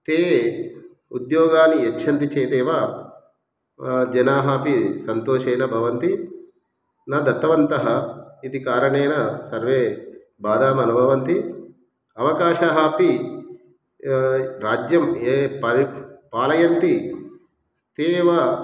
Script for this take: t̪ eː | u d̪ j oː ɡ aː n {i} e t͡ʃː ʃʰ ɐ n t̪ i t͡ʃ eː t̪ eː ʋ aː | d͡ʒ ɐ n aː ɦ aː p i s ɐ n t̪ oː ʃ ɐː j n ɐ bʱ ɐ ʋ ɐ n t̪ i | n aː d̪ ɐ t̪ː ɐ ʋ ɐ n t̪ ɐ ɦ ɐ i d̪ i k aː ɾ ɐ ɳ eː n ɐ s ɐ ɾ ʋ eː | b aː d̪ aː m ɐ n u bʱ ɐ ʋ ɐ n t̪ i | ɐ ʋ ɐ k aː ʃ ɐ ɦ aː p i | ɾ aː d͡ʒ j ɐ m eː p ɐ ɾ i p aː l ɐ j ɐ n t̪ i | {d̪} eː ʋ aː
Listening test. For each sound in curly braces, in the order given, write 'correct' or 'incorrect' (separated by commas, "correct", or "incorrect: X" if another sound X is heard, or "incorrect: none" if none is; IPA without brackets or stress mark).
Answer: correct, incorrect: t̪